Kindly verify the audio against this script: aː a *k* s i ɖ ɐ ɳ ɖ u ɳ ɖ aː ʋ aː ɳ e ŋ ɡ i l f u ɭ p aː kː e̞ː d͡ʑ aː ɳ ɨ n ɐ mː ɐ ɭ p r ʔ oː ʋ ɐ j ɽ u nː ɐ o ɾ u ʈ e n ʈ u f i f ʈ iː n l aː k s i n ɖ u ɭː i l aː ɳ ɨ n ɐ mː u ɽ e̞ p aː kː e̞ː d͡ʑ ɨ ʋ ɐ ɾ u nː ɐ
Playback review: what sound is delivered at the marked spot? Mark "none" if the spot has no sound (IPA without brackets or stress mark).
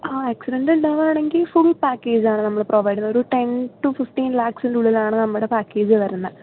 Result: k